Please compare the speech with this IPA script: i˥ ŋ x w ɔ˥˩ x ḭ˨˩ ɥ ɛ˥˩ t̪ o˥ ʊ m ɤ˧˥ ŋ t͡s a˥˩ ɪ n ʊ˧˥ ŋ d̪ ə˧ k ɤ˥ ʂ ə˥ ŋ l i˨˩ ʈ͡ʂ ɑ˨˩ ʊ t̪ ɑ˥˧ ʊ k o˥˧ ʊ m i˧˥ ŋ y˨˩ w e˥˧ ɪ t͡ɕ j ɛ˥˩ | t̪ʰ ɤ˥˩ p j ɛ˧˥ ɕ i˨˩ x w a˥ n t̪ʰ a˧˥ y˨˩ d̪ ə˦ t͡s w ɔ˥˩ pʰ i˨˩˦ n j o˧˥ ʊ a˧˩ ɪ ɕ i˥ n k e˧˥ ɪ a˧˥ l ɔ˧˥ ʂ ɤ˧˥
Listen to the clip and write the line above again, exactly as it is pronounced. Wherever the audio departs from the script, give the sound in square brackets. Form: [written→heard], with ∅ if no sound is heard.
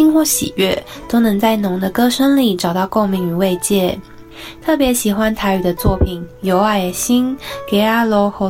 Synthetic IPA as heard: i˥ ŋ x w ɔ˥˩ [x→ɕ] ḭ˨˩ ɥ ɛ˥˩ t̪ o˥ ʊ [m→n] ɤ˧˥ ŋ t͡s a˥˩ ɪ n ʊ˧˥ ŋ d̪ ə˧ k ɤ˥ ʂ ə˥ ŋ l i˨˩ ʈ͡ʂ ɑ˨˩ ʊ t̪ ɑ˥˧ ʊ k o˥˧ ʊ m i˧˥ ŋ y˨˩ w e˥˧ ɪ t͡ɕ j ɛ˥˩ | t̪ʰ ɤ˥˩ p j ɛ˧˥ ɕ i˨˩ x w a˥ n t̪ʰ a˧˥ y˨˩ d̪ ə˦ t͡s w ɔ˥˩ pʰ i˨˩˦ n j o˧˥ ʊ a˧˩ ɪ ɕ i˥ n k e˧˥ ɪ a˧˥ l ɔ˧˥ [ʂ→x] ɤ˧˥